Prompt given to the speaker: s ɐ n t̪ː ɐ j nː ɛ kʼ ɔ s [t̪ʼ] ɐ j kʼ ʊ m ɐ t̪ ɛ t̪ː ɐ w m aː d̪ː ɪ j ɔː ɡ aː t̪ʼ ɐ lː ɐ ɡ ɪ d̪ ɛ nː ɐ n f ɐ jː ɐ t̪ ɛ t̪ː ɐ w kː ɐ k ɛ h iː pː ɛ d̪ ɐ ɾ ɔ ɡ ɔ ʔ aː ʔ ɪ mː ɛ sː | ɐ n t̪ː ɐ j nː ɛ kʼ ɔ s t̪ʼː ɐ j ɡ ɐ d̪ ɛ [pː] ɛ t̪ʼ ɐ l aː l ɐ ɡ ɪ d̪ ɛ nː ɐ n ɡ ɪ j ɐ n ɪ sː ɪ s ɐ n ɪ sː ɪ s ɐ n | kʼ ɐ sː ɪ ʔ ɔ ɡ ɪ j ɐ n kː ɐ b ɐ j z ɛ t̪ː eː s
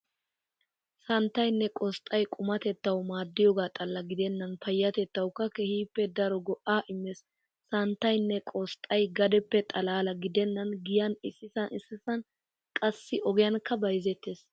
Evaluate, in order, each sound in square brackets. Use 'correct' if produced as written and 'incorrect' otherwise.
correct, correct

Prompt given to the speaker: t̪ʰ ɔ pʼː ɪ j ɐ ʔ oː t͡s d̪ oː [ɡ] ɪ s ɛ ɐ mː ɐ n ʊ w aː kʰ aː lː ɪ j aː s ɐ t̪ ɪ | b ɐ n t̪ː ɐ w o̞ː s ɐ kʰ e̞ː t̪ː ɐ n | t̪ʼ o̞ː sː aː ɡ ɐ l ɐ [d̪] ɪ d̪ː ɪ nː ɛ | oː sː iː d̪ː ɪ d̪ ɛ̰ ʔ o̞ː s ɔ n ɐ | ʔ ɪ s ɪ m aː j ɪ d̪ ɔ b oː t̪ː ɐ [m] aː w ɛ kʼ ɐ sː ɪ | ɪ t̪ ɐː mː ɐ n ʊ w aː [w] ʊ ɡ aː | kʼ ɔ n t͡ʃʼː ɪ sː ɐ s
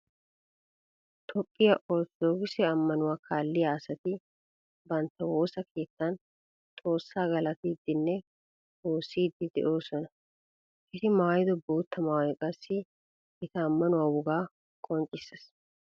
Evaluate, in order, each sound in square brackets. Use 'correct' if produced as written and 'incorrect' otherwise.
correct, incorrect, correct, correct

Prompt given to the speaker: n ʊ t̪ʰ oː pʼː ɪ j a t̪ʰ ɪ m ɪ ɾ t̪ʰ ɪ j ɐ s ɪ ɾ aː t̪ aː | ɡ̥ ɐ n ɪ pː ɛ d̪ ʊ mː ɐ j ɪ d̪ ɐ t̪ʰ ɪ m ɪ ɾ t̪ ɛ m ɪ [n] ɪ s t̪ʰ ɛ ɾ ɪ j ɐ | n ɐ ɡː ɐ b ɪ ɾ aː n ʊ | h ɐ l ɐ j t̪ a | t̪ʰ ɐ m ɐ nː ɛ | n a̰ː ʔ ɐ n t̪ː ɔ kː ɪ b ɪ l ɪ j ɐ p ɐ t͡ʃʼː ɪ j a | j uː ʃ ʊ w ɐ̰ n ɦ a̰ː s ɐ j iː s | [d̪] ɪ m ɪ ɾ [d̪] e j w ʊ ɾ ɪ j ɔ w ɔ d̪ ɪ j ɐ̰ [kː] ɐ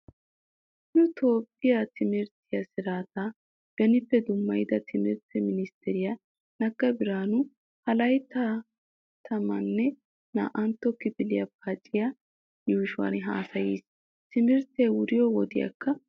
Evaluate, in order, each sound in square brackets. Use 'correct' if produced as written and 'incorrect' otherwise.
correct, incorrect, incorrect, correct

